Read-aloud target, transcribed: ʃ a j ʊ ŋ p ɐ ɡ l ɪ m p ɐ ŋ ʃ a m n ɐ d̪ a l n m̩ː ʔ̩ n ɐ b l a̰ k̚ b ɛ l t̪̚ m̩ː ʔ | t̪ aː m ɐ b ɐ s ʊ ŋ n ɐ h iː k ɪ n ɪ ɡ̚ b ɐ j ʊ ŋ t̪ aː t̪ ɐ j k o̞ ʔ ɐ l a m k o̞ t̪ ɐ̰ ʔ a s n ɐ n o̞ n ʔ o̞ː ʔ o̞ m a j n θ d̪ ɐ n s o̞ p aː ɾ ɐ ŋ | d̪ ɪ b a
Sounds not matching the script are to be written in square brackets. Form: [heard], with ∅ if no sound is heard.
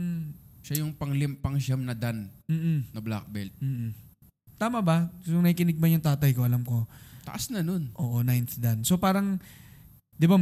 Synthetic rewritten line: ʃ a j ʊ ŋ p ɐ [ŋ] l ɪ m p ɐ ŋ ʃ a m n ɐ d̪ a [∅] n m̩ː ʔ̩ n ɐ b l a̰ k̚ b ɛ l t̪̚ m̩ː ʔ | t̪ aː m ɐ b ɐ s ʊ ŋ n ɐ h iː k ɪ n ɪ ɡ̚ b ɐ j ʊ ŋ t̪ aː t̪ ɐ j k o̞ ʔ ɐ l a m k o̞ t̪ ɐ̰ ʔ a s n ɐ n o̞ n ʔ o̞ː ʔ o̞ [n] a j n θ d̪ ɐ n s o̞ p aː ɾ ɐ ŋ | d̪ ɪ b a